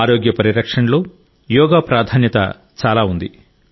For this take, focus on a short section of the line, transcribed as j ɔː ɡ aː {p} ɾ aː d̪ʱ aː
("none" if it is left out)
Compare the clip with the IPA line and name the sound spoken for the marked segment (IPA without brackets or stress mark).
p